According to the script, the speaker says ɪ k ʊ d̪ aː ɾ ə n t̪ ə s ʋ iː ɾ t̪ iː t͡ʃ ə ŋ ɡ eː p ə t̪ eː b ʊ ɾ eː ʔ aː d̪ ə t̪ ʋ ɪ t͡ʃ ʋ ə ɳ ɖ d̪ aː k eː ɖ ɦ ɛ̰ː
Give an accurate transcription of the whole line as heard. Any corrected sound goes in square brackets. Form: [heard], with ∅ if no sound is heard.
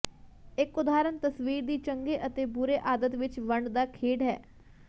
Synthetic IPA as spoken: ɪ k ʊ d̪ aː ɾ ə n t̪ ə s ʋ iː ɾ [d̪] iː t͡ʃ ə ŋ ɡ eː [ʔ] ə t̪ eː b ʊ ɾ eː ʔ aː d̪ ə t̪ ʋ ɪ t͡ʃ ʋ ə ɳ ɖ d̪ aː [kʰ] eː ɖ ɦ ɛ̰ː